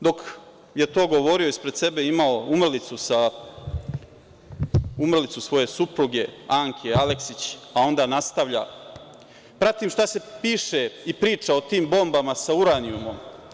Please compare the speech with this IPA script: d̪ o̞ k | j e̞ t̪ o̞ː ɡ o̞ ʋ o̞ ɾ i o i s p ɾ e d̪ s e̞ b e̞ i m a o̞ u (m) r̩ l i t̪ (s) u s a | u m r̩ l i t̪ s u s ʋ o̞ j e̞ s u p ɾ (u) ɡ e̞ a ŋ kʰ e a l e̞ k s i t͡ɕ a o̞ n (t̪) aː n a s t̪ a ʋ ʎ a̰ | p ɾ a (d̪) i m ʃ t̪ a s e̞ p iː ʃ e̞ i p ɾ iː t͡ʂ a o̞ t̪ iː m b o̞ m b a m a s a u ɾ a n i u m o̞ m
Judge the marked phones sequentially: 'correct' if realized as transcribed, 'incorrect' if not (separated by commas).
correct, correct, correct, incorrect, incorrect